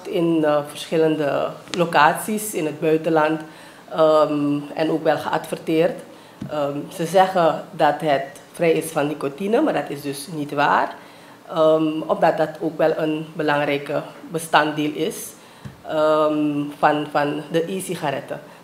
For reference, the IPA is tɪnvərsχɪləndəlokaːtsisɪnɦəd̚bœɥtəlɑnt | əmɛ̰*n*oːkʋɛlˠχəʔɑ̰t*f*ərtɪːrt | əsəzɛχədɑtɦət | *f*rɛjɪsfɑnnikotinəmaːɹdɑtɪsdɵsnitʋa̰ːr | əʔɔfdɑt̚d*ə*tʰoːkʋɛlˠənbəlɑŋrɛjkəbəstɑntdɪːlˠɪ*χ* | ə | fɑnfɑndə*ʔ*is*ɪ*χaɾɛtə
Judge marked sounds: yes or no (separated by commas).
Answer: yes, yes, yes, no, no, yes, no